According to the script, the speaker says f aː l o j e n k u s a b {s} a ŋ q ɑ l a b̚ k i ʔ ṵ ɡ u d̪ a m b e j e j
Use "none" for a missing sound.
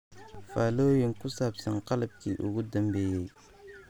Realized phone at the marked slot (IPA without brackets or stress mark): s